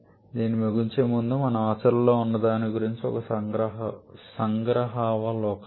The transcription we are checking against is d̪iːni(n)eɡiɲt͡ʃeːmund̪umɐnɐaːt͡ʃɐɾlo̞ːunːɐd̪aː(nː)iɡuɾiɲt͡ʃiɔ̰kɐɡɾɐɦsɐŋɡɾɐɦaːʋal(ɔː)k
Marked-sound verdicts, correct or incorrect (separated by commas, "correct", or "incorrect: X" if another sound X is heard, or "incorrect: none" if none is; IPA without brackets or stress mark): incorrect: m, incorrect: n, correct